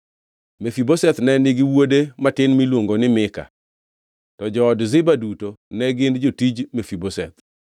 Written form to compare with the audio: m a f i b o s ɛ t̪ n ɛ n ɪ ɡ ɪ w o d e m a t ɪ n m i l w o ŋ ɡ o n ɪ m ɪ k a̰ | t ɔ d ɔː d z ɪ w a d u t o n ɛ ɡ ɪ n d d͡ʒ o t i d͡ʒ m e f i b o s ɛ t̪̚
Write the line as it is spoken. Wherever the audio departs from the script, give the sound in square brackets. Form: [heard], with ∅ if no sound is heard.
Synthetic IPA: m [e] f i b o s ɛ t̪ n ɛ n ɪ ɡ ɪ w o d e m a t ɪ n m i l w o ŋ ɡ o n ɪ m ɪ k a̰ | t ɔ [d͡ʒ] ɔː d z ɪ [b] a d u t o n ɛ ɡ ɪ n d d͡ʒ o t i d͡ʒ m e f i b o s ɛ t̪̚